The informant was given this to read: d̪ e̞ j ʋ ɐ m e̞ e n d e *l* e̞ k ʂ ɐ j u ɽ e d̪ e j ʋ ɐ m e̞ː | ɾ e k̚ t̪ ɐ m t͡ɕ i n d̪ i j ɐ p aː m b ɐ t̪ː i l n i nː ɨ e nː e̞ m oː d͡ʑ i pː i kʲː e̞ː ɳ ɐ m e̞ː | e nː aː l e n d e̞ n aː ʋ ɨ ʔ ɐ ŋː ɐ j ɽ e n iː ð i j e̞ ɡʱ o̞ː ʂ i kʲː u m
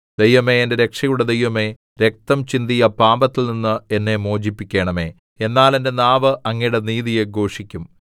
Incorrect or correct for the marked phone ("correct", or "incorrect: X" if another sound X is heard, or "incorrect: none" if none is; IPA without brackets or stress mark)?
incorrect: ɾ